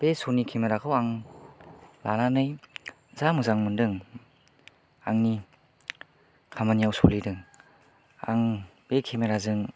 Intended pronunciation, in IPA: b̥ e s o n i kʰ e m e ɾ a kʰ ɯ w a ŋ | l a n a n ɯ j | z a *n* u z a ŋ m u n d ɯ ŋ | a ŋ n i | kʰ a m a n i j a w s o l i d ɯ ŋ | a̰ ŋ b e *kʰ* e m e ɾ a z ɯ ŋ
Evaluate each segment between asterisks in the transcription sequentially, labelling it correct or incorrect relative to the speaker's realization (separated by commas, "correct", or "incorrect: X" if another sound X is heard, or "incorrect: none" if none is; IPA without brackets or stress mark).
incorrect: m, correct